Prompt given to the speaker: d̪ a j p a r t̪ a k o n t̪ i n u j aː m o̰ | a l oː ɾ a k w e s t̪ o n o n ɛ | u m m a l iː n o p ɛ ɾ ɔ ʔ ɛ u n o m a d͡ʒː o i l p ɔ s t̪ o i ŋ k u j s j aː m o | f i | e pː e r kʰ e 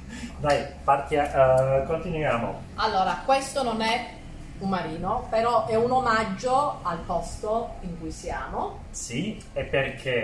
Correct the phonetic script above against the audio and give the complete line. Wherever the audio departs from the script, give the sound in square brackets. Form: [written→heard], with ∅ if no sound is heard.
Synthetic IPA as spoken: d̪ a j p a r t̪ a k o n t̪ i n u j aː m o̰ | a [l→lː] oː ɾ a k w e s t̪ o n o n ɛ | u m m a [l→ɾ] iː n o p [ɛ→e] ɾ ɔ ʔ ɛ u n o m a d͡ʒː o [i→a] l p ɔ s t̪ o i ŋ k u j s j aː m o | [f→s] i | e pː e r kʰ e